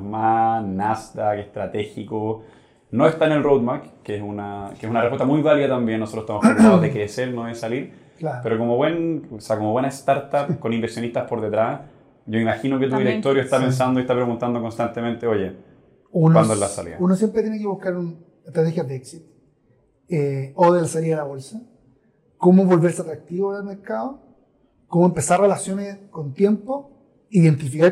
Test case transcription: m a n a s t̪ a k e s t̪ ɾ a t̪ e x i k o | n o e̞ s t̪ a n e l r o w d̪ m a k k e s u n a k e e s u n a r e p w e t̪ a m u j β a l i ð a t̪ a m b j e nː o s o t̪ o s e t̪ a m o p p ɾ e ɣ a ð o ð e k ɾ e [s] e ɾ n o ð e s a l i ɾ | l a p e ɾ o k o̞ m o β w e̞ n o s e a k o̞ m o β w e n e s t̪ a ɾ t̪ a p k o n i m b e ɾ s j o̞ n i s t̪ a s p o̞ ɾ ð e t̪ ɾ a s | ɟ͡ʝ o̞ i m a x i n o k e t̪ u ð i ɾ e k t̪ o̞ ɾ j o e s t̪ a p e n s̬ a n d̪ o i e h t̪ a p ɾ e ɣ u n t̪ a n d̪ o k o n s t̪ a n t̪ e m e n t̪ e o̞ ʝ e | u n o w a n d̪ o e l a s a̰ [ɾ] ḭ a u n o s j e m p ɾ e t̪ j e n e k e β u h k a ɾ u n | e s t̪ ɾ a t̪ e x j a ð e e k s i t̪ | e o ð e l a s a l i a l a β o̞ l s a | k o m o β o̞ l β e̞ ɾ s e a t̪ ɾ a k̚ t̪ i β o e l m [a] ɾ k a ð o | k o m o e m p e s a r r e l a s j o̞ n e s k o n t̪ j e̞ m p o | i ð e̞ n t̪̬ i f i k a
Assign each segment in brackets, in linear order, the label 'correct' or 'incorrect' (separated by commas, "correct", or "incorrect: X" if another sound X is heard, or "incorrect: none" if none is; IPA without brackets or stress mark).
correct, incorrect: l, incorrect: e